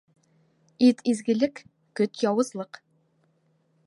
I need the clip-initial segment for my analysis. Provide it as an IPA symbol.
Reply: i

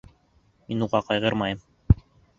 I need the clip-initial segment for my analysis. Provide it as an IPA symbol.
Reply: m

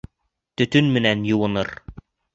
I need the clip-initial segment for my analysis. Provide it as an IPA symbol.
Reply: t̪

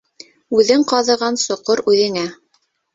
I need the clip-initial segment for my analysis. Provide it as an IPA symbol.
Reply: ʉ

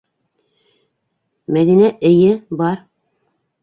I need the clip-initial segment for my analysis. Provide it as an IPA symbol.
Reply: m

